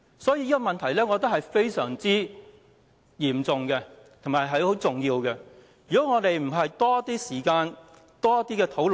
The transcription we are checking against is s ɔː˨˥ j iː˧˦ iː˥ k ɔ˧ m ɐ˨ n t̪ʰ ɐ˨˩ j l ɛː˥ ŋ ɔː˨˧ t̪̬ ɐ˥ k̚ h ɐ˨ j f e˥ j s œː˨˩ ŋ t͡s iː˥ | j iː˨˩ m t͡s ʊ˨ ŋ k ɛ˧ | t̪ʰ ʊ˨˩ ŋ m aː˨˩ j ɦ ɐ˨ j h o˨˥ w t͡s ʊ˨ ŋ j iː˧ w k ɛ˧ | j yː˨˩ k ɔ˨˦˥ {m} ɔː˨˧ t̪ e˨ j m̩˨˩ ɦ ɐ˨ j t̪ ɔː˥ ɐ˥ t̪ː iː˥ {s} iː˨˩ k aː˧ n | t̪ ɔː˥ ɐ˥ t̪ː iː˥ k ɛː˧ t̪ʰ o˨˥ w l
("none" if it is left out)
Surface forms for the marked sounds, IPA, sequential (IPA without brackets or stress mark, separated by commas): ŋ, s